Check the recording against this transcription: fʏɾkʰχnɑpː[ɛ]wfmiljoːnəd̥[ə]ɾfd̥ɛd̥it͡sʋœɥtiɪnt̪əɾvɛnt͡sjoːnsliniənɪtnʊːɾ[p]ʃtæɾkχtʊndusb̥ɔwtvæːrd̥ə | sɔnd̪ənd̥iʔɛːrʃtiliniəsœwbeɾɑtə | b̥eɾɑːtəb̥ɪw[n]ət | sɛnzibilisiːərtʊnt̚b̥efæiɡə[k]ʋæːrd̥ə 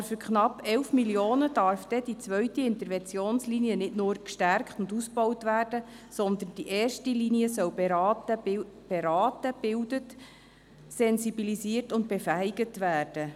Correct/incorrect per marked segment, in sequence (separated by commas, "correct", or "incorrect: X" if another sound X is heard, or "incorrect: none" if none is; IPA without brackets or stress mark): correct, incorrect: ɑ, incorrect: k, incorrect: d, incorrect: t